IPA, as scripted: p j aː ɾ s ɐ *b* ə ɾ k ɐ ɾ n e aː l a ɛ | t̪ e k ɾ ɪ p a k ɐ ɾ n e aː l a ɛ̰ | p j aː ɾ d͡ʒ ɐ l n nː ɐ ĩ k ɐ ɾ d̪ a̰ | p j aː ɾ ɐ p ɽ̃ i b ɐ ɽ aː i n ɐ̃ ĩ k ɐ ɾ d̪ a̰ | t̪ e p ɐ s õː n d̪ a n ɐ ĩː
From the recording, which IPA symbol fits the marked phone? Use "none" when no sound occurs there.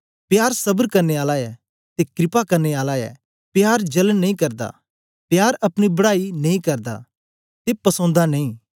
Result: b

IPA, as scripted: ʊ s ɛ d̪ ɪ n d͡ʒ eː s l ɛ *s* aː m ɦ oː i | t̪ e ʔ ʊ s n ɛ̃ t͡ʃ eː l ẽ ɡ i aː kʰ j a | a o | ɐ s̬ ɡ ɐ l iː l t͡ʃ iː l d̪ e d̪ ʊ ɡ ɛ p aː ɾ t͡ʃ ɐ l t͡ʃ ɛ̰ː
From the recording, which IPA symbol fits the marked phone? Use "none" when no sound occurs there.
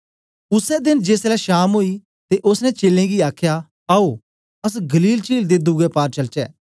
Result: ʃ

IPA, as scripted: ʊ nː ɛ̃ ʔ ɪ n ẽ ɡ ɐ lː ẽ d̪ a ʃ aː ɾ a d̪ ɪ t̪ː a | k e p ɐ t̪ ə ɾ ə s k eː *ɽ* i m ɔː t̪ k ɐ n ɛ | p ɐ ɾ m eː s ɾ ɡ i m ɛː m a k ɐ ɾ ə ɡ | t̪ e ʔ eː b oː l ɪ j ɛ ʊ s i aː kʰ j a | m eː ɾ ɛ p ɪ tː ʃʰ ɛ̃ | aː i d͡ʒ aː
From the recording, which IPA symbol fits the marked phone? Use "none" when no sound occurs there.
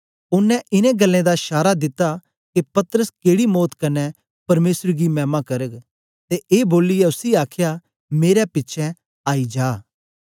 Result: ɽ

